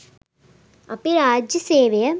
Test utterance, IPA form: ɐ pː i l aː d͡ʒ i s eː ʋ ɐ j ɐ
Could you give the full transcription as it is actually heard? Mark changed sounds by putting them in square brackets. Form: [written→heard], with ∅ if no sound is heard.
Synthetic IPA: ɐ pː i [l→ɾ] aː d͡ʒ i s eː ʋ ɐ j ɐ